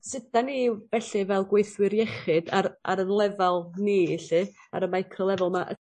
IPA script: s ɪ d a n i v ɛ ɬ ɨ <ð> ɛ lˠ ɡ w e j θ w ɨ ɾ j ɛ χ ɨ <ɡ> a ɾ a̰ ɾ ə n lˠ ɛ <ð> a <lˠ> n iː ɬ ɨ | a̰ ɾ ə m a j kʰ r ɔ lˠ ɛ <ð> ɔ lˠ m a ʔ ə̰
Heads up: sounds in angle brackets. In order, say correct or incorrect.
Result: incorrect, incorrect, incorrect, correct, incorrect

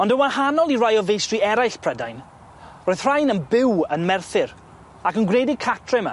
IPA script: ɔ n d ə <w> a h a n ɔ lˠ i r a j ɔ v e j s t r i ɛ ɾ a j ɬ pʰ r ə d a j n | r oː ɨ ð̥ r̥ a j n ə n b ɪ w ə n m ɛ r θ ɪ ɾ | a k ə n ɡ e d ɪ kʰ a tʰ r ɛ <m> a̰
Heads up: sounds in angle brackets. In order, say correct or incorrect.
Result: correct, correct

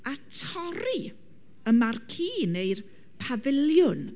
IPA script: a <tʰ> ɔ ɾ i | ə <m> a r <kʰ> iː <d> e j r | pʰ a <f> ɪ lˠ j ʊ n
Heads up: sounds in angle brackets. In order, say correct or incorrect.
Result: correct, correct, correct, incorrect, incorrect

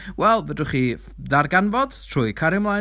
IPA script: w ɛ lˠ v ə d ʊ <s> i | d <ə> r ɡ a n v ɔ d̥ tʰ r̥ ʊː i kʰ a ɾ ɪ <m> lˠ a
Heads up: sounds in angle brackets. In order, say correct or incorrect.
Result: incorrect, incorrect, correct

